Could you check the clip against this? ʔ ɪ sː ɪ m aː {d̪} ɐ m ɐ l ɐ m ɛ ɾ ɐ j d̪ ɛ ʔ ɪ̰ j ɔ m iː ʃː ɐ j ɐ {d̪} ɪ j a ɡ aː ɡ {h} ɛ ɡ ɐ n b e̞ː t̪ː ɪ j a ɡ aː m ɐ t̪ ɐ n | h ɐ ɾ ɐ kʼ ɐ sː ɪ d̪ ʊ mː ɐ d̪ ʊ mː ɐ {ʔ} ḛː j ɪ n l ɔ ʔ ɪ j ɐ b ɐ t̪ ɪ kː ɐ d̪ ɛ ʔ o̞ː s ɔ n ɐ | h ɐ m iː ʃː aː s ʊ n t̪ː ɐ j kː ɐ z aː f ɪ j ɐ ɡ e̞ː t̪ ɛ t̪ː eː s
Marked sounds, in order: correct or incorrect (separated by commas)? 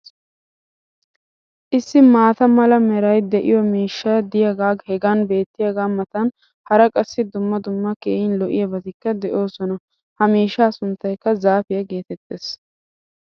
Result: incorrect, correct, correct, incorrect